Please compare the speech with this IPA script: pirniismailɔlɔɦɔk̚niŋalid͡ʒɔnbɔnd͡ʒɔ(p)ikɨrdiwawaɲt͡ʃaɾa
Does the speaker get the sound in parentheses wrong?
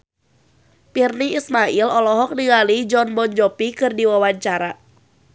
no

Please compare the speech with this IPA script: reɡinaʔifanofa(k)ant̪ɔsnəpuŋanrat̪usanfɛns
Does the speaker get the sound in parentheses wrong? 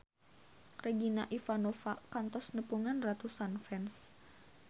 no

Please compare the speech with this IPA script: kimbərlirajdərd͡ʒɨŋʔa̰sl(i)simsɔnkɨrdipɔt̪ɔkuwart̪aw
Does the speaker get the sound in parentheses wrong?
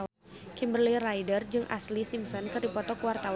no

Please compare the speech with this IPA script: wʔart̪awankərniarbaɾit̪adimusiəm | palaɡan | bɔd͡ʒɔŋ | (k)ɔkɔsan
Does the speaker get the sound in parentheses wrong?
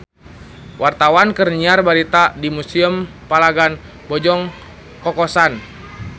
no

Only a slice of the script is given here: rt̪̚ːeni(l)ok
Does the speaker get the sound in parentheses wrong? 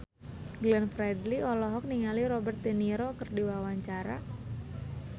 yes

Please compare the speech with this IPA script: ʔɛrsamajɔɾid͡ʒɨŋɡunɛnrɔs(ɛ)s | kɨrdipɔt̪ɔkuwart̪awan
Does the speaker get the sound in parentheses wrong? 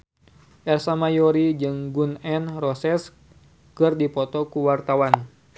no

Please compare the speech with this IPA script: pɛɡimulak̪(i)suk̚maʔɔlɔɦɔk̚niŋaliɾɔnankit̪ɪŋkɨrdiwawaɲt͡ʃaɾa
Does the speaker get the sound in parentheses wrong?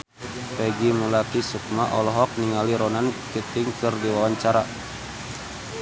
no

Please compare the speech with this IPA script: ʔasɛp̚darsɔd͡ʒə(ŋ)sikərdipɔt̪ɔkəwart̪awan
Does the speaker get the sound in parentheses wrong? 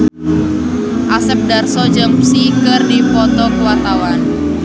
yes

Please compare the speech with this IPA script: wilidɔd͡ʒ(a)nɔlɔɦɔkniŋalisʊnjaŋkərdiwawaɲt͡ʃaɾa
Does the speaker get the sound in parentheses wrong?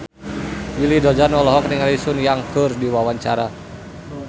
no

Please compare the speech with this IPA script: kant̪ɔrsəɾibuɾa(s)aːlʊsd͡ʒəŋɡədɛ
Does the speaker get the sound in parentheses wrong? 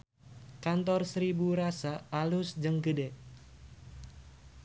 no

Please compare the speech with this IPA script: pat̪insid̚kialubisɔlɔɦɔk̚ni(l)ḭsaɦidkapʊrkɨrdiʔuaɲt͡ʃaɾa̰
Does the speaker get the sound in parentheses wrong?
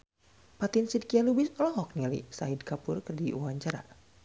no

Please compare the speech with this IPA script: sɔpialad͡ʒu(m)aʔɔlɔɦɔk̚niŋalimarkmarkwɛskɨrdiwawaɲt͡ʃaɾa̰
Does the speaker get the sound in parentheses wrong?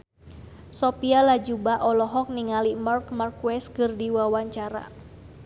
yes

